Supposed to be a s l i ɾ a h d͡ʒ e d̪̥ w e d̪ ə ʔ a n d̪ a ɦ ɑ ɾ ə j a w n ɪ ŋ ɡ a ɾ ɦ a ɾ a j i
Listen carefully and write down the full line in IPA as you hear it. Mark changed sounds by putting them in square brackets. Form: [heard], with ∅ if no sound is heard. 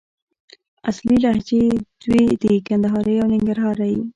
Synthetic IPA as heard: a s l i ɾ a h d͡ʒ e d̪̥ w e d̪ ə [k] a n d̪ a ɦ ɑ ɾ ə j a w n ɪ ŋ ɡ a ɾ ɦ [ɑ] ɾ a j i